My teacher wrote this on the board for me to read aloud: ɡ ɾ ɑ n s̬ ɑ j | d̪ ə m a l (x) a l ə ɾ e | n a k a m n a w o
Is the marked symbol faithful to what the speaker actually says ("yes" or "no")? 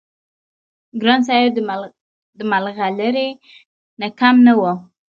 no